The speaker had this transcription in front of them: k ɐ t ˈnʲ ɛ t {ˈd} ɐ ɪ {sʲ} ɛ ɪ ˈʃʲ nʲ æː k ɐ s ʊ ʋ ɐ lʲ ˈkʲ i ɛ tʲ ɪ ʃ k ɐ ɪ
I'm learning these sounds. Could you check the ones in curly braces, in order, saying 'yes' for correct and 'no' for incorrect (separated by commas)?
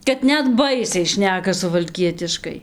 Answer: no, yes